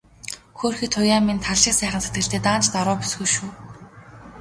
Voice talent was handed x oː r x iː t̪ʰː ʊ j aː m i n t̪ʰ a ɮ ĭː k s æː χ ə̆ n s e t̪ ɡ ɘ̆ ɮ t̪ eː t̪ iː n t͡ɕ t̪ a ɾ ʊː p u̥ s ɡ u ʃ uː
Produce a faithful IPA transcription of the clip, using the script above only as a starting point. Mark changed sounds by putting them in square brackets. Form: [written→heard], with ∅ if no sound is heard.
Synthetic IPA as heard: x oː r x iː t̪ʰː ʊ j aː m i n t̪ʰ a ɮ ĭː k s æː χ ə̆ n s e t̪ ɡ ɘ̆ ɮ t̪ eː t̪ [iː→aː] n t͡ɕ t̪ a ɾ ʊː p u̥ s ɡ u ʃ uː